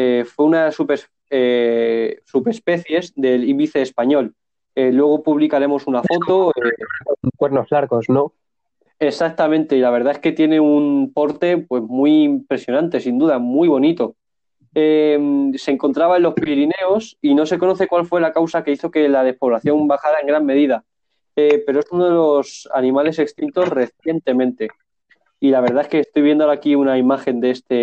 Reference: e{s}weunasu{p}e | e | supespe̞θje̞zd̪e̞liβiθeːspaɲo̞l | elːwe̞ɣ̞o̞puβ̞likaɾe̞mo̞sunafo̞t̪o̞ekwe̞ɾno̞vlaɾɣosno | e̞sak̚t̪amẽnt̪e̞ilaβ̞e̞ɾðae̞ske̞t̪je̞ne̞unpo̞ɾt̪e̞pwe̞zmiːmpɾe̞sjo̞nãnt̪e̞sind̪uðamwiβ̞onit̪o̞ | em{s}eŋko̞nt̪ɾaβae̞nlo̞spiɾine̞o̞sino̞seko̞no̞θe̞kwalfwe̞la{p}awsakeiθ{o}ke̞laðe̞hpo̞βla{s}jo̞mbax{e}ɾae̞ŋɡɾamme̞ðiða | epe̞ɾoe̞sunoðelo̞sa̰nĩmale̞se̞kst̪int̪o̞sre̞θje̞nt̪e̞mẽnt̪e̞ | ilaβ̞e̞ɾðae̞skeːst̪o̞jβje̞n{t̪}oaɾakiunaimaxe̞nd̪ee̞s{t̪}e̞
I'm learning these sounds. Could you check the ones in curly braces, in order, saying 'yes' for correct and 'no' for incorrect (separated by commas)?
no, yes, yes, no, yes, no, no, no, yes